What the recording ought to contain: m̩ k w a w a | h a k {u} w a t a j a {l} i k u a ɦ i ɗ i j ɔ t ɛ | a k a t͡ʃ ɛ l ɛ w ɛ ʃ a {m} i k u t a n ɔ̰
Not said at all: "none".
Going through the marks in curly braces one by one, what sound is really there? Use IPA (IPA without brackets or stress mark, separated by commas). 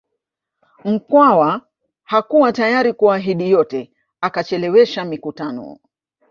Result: u, ɾ, m